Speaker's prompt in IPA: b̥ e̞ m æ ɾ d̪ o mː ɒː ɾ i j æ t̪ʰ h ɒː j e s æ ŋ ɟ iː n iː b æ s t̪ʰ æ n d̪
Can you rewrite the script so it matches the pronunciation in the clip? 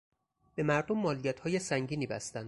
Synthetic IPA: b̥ e̞ m æ ɾ d̪ o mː ɒː l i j æ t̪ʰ h ɒː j e s æ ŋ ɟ iː n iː b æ s t̪ æ n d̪